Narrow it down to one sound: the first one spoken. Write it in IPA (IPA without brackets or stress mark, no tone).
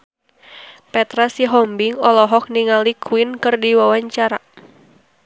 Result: p